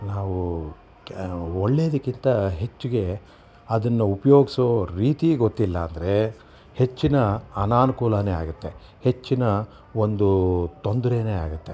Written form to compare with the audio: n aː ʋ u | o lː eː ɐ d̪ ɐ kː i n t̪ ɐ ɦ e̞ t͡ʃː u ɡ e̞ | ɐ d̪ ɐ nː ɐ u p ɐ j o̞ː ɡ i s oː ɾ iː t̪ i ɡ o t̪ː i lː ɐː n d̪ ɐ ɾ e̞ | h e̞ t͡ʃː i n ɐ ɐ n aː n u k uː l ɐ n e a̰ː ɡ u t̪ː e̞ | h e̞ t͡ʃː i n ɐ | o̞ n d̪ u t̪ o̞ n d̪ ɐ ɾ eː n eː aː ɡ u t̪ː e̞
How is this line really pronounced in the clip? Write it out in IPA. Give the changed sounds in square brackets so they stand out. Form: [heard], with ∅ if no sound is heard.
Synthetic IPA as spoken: n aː ʋ u | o [ɭː] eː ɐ d̪ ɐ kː i n t̪ ɐ ɦ e̞ t͡ʃː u ɡ e̞ | ɐ d̪ ɐ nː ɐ u p ɐ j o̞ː ɡ i s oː ɾ iː t̪ i ɡ o t̪ː i lː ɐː n d̪ ɐ ɾ e̞ | h e̞ t͡ʃː i n ɐ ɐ n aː n u k uː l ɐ n e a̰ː ɡ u t̪ː e̞ | h e̞ t͡ʃː i n ɐ | o̞ n d̪ u t̪ o̞ n d̪ ɐ ɾ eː n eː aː ɡ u t̪ː e̞